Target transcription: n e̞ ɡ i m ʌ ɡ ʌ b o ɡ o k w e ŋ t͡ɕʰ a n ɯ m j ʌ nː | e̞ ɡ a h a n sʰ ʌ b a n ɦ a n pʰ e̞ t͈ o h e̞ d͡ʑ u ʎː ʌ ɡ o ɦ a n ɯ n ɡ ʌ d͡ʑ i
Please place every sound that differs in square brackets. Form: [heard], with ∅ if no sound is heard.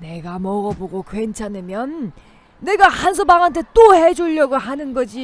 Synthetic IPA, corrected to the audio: n e̞ ɡ [a] m ʌ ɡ ʌ b o ɡ o k w e [n] t͡ɕʰ a n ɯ m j ʌ nː | e̞ ɡ a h a n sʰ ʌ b a [ŋ] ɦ a n [tʰ] e̞ t͈ o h e̞ d͡ʑ u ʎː ʌ ɡ o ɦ a n ɯ n ɡ ʌ d͡ʑ i

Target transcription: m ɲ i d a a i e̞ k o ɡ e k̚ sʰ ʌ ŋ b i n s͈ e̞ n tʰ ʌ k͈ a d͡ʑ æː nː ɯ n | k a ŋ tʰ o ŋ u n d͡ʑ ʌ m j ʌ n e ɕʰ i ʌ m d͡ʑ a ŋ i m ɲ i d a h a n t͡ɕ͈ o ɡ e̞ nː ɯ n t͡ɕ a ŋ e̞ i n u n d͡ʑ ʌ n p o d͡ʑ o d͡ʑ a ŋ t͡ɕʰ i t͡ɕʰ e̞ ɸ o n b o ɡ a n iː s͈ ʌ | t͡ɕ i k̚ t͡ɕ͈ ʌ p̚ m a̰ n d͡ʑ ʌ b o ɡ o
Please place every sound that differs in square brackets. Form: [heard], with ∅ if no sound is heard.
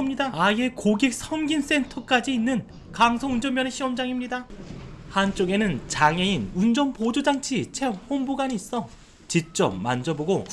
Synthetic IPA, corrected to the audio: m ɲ i d a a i e̞ k o ɡ e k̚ sʰ ʌ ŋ [ɡ] i n s͈ e̞ n tʰ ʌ k͈ a d͡ʑ [iː] nː ɯ n | k a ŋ [sʰ] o ŋ u n d͡ʑ ʌ m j ʌ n e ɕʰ i ʌ m d͡ʑ a ŋ i m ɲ i d a h a n t͡ɕ͈ o ɡ e̞ [n] ɯ n t͡ɕ a ŋ e̞ i n u n d͡ʑ ʌ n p o d͡ʑ o d͡ʑ a ŋ t͡ɕʰ i t͡ɕʰ e̞ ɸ o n b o ɡ a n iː s͈ ʌ | t͡ɕ i k̚ t͡ɕ͈ ʌ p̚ m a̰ n d͡ʑ ʌ b o ɡ o

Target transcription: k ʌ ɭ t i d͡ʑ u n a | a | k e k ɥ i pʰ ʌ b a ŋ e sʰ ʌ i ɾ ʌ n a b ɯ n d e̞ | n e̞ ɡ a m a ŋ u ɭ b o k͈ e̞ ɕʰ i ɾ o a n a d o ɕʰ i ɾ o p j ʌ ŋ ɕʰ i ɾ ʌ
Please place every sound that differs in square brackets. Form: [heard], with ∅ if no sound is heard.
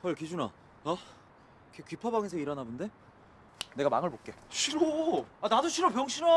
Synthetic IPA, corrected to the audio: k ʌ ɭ [k] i d͡ʑ u n a | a | k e k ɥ i pʰ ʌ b a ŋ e sʰ ʌ i ɾ ʌ n a b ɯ n d e̞ | n e̞ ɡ a m a ŋ [ɯ] ɭ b o k͈ e̞ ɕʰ i ɾ o a n a d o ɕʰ i ɾ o p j ʌ ŋ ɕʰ i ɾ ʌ

